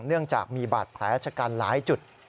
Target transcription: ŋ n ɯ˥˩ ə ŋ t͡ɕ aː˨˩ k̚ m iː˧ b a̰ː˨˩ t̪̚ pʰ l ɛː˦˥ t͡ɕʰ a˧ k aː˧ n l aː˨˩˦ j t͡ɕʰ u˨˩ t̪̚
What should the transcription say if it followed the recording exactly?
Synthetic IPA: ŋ n ɯ˥˩ ə ŋ t͡ɕ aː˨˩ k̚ m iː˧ b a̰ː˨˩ t̪̚ pʰ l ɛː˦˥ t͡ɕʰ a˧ k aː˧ n l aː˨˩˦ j t͡ɕ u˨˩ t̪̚